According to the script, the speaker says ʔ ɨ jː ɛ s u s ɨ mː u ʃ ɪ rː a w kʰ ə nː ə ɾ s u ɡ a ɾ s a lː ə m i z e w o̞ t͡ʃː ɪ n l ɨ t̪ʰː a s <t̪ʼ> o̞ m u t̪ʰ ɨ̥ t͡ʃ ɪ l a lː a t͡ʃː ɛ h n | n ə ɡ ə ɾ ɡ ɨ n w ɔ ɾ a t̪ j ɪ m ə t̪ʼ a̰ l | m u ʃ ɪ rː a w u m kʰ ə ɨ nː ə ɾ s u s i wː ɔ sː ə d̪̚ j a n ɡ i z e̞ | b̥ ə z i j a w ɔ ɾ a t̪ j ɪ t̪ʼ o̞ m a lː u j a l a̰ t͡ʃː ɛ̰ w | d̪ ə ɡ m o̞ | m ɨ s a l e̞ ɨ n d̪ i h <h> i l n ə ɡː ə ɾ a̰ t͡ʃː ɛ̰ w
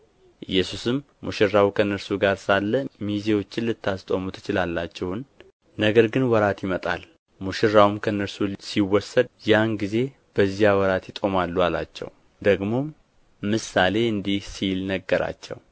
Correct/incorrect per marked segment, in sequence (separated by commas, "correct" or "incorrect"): correct, incorrect